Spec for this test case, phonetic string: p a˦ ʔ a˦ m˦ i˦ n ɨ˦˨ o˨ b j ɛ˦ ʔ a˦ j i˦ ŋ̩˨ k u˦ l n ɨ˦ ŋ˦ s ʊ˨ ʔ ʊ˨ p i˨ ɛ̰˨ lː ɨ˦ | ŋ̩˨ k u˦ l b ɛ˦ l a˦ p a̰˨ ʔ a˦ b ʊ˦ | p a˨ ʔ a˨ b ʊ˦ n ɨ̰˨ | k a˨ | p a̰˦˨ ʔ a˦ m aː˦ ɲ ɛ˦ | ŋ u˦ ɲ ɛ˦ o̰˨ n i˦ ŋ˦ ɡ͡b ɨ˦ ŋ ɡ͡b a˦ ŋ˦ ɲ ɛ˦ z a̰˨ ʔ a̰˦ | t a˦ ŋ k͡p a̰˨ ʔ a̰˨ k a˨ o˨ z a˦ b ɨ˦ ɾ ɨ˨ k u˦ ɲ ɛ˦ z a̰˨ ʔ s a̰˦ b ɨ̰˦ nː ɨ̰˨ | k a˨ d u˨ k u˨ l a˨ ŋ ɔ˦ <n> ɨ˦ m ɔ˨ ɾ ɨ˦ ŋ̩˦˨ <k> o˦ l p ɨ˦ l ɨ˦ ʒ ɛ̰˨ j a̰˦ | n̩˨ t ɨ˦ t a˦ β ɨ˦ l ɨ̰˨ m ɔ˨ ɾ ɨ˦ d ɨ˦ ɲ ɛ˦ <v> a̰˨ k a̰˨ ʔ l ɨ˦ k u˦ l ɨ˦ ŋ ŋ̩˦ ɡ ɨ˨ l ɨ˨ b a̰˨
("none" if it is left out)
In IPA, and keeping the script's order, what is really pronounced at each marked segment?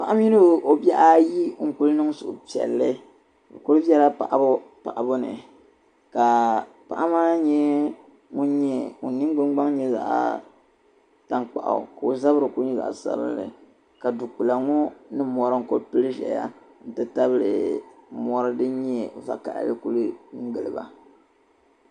n, k, v

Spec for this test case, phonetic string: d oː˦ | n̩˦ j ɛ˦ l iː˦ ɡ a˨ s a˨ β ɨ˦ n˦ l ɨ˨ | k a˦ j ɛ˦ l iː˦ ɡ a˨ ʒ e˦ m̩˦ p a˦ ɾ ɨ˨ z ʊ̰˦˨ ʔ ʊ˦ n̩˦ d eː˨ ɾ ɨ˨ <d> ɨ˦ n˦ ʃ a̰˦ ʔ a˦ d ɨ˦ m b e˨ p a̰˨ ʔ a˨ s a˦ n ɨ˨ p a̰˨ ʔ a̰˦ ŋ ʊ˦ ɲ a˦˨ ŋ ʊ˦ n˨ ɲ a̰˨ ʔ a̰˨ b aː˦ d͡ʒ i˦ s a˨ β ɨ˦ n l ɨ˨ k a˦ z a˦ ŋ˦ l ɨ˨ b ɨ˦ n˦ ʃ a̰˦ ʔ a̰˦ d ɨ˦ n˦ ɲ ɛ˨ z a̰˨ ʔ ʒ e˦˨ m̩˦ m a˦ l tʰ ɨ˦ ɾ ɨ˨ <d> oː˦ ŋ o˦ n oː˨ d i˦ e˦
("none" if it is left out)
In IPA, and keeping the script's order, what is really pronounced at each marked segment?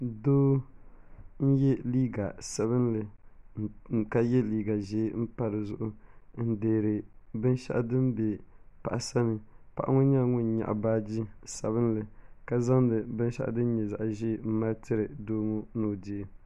b, d

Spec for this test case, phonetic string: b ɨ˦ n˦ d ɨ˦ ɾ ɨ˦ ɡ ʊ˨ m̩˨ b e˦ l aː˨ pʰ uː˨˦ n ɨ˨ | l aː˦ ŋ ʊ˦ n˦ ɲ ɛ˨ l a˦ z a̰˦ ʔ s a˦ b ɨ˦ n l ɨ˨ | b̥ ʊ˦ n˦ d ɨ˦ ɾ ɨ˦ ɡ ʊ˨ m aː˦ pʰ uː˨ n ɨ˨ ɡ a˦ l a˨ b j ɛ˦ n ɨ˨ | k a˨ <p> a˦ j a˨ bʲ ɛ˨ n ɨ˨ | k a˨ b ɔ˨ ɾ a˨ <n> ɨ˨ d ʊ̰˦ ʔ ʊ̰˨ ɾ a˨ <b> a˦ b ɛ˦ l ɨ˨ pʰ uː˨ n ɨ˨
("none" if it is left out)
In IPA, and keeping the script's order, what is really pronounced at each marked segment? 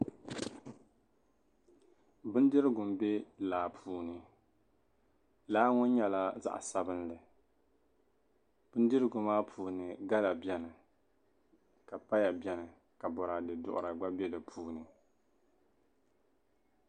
p, d, ɡ͡b

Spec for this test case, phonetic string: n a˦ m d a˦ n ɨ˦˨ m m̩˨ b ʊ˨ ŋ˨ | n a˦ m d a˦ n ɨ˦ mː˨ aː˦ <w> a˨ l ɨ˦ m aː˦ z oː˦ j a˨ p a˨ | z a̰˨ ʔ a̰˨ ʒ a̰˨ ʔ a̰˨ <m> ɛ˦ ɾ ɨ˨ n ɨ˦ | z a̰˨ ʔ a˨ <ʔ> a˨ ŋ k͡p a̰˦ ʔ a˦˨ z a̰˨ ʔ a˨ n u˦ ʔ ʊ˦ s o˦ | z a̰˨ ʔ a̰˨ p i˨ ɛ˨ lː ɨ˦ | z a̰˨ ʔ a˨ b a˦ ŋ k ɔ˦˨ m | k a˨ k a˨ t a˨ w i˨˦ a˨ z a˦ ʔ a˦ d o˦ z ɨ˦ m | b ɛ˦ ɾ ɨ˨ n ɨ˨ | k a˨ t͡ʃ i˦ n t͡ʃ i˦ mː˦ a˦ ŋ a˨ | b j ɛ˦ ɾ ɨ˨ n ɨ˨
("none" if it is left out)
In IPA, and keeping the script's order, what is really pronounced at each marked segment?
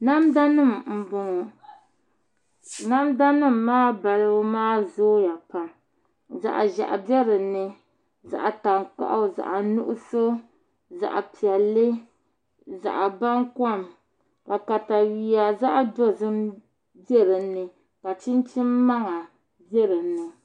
b, b, t

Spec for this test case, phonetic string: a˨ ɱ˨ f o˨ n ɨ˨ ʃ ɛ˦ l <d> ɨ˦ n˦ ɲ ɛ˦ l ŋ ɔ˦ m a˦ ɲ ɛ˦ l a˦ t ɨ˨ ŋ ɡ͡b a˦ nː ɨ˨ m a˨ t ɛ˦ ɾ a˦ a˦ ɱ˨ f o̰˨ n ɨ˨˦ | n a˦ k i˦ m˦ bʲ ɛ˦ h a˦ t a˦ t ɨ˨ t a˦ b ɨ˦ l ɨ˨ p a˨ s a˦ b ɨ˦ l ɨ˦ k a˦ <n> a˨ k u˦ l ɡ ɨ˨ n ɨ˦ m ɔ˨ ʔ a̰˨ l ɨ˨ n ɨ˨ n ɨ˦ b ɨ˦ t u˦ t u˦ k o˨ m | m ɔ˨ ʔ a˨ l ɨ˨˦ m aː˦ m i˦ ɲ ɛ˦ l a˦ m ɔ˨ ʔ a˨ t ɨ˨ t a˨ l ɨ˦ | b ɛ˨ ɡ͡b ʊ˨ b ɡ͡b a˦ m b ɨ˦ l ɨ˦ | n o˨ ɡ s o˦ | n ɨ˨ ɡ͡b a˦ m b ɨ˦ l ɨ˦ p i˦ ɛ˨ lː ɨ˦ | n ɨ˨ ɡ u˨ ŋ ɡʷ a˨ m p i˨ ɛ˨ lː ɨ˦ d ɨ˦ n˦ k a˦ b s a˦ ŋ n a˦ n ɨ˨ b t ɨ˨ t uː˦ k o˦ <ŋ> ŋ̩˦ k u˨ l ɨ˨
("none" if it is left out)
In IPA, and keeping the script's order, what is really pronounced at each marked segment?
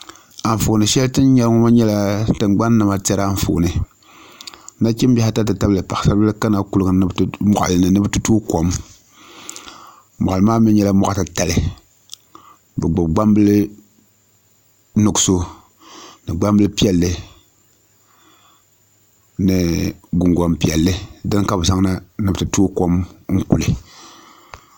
t, n, m

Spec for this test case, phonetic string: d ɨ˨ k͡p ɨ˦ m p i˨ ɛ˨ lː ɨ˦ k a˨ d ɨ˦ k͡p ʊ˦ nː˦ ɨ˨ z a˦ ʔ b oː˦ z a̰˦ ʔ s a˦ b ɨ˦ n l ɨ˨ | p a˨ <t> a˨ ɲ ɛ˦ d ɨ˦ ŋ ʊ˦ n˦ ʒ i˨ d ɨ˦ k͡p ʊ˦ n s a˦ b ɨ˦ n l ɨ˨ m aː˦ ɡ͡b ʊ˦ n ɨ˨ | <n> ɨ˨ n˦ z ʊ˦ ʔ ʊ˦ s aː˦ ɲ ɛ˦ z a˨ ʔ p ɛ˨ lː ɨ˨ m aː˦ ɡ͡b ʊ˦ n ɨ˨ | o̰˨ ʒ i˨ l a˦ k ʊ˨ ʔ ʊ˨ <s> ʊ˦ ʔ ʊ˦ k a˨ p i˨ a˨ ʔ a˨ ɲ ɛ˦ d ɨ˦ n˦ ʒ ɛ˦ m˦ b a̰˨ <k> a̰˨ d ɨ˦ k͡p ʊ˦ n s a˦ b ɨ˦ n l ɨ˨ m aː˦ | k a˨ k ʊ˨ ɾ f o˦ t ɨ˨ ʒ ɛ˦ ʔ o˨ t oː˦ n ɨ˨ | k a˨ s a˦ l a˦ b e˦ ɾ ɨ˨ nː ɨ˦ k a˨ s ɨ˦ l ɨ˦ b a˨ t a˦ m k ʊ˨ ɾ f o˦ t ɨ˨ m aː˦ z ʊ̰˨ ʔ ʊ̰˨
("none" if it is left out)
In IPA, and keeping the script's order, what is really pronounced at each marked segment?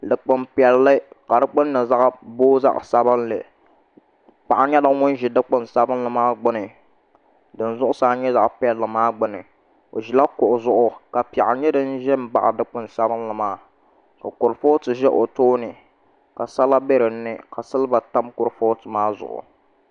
ʔ, d, z, ʔ

